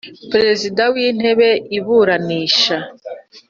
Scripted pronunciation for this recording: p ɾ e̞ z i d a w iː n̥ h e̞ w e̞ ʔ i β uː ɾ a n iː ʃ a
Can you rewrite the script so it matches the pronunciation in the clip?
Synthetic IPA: p ɾ e̞ z i d a w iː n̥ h e̞ β e̞ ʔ i β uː ɾ a n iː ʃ a